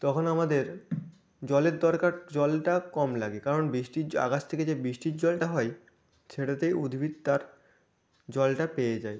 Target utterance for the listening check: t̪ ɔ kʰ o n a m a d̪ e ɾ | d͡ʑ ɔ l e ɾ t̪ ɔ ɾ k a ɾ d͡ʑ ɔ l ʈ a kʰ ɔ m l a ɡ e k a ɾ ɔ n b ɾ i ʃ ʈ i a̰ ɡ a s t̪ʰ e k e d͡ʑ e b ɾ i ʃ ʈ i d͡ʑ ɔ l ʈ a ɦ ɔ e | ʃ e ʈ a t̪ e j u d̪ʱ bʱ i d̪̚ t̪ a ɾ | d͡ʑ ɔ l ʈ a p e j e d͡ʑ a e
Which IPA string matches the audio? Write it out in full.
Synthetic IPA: t̪ ɔ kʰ o n a m a d̪ e ɾ | d͡ʑ ɔ l e ɾ d̪ ɔ ɾ k a ɾ d͡ʑ ɔ l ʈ a k ɔ m l a ɡ e k a ɾ o n b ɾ i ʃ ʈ i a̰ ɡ a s t̪ʰ e k e d͡ʑ e b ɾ i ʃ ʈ i d͡ʑ ɔ l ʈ a ɦ ɔ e | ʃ e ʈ a t̪ e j u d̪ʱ bʱ i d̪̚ t̪ a ɾ | d͡ʑ ɔ l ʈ a p e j e d͡ʑ a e

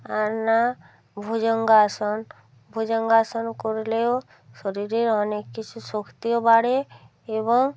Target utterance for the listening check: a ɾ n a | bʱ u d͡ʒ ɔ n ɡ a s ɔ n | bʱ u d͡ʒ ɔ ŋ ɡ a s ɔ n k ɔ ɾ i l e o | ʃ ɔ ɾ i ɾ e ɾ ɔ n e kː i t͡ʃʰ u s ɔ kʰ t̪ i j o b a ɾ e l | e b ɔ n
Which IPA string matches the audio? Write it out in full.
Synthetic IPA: a ɾ n a | bʱ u d͡ʒ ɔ ŋ ɡ a s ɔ n | bʱ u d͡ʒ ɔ ŋ ɡ a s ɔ n k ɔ ɾ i l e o | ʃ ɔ ɾ i ɾ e ɾ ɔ n e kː i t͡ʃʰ u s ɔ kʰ t̪ i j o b a ɽ e | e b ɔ ŋ

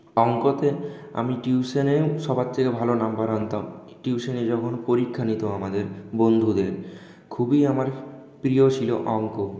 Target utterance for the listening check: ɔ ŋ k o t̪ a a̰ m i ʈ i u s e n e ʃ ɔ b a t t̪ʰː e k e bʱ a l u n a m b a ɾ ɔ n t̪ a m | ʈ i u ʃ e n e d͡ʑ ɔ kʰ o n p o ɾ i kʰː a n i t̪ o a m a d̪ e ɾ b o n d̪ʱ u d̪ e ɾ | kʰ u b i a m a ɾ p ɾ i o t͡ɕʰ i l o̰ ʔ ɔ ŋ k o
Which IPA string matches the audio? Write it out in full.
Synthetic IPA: ɔ ŋ k o t̪ e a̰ m i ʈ i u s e n e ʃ ɔ b a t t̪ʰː e k e bʱ a l o n a m b a ɾ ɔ n t̪ a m | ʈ i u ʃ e n e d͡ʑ ɔ kʰ o n p o ɾ i kʰː a n i t̪ o a m a d̪ e ɾ b o n d̪ʱ u d̪ e ɾ | kʰ u b i a m a ɾ p ɾ i o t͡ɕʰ i l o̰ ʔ ɔ ŋ k o

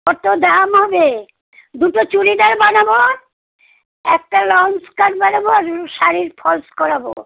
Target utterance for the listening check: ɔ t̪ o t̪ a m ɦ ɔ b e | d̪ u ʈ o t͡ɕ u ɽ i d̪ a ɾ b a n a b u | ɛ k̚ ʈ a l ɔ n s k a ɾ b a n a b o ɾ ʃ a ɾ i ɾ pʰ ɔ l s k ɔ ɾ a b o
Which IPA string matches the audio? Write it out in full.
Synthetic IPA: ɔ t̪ o d̪ a m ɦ ɔ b e | d̪ u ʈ o t͡ɕ u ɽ i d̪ a ɾ b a n a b o | ɛ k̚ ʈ a l ɔ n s k a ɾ b a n a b o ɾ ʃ a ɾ i ɾ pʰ ɔ l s k ɔ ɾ a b o

